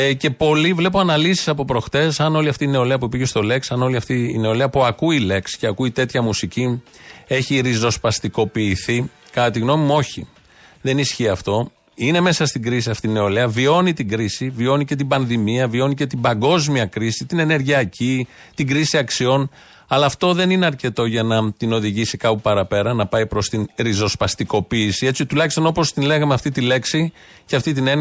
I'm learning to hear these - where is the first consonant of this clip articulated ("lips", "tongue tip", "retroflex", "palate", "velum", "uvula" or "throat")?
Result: palate